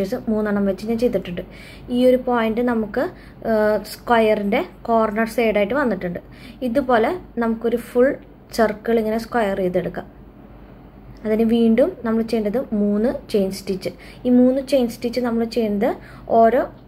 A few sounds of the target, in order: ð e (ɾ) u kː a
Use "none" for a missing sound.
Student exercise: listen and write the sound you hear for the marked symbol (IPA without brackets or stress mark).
ɽ